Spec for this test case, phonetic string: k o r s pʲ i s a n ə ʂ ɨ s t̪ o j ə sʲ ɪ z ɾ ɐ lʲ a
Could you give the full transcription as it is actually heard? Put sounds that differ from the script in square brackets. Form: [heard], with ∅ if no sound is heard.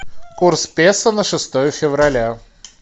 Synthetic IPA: k [u] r s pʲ [e] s [ə] n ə ʂ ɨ s t̪ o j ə [fʲ] ɪ [v] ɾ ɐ lʲ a